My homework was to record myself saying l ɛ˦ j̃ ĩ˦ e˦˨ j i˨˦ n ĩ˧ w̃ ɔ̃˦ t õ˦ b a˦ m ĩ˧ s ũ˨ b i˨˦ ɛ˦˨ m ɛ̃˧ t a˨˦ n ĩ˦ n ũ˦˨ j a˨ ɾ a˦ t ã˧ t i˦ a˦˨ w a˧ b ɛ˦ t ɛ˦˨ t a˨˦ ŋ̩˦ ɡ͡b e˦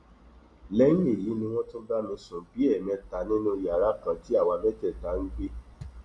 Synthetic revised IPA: l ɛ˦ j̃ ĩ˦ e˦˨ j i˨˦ n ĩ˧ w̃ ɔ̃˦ t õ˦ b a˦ m ĩ˧ s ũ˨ b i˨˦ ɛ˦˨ m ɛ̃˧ t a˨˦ n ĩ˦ n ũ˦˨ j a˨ ɾ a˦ k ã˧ t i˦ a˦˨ w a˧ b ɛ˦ t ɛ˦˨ t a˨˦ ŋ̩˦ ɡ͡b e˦